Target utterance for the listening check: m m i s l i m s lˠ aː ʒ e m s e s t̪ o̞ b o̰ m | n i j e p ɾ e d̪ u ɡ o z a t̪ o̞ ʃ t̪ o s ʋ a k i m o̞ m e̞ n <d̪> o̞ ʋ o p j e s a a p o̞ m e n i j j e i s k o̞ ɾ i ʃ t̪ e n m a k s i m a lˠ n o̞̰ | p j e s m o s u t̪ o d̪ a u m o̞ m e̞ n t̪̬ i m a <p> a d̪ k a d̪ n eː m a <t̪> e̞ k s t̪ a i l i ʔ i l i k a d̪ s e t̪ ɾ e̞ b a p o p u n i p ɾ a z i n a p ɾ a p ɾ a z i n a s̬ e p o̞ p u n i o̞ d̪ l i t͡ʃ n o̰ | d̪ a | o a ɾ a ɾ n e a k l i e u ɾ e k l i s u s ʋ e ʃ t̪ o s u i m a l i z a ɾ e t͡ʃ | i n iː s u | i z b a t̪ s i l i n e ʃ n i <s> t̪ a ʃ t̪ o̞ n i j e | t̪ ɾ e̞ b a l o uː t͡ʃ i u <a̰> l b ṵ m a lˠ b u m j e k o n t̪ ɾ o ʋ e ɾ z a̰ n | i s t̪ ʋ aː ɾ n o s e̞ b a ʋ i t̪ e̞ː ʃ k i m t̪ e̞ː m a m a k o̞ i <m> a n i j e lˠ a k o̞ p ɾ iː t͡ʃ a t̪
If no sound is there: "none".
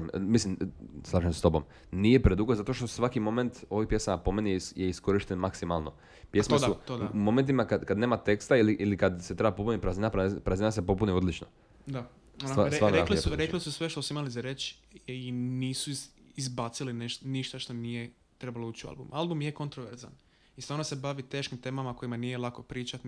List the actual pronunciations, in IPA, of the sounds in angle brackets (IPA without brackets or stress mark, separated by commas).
t̪, k, t̪, ʃ, a̰, m